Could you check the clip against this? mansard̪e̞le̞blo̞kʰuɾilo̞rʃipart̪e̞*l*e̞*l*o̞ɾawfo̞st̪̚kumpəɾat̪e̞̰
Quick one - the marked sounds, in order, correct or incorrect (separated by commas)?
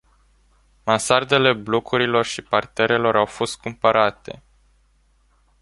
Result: incorrect, correct